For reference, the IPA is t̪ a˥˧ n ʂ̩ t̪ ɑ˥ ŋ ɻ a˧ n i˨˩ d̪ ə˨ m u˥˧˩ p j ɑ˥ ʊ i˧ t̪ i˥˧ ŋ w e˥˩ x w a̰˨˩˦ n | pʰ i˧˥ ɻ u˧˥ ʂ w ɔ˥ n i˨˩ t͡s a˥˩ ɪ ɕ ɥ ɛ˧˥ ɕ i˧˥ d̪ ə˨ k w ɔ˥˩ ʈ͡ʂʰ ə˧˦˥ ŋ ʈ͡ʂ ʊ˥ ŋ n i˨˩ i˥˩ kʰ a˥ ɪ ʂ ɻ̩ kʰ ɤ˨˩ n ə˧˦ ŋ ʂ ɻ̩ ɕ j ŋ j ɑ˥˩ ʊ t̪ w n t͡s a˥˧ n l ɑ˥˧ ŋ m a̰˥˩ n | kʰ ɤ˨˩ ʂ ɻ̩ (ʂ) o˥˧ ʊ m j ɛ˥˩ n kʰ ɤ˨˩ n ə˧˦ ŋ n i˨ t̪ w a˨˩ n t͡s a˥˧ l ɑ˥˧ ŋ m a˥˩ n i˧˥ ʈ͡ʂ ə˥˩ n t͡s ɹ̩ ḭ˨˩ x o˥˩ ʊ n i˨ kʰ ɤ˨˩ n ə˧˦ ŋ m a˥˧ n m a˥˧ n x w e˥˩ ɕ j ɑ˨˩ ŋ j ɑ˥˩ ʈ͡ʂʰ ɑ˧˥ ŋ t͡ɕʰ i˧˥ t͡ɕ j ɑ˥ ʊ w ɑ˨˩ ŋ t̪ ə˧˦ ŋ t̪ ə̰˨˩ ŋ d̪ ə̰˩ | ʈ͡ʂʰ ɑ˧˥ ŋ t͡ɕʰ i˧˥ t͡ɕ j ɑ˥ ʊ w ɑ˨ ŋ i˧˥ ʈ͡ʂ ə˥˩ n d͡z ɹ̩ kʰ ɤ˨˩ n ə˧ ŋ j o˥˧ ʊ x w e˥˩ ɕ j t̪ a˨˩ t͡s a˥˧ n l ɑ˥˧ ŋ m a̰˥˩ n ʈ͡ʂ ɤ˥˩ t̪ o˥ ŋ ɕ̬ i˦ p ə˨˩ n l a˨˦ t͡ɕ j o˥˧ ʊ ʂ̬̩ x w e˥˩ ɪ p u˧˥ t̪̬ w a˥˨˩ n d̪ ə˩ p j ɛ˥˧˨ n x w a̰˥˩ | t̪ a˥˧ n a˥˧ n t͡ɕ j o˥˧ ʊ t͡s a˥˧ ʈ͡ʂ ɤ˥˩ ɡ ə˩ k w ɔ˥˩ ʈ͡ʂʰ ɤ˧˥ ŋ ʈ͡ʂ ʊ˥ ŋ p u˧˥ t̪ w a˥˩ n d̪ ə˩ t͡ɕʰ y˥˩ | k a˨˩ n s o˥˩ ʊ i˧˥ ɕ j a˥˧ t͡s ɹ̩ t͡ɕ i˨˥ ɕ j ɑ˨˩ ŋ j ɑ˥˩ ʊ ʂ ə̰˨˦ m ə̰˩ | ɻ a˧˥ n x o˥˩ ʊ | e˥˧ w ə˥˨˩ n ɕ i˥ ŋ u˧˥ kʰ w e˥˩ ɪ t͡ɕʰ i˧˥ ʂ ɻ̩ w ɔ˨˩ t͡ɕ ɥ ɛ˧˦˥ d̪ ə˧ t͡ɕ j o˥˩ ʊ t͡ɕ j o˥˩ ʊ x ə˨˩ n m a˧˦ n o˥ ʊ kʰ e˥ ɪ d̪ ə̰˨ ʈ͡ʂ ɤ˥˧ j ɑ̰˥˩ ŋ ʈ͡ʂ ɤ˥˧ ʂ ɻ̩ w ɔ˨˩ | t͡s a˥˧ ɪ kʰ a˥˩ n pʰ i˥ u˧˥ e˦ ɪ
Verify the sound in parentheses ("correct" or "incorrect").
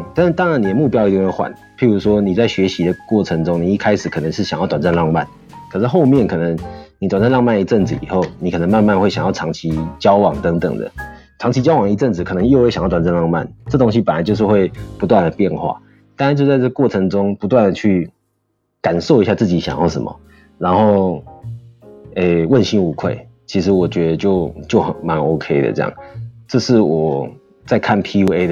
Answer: incorrect